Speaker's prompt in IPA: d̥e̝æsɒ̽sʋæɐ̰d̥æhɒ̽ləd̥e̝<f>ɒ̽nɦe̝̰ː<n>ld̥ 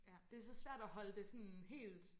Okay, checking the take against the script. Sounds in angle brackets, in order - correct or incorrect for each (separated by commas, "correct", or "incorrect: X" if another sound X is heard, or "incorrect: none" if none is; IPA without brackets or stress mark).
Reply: incorrect: s, incorrect: none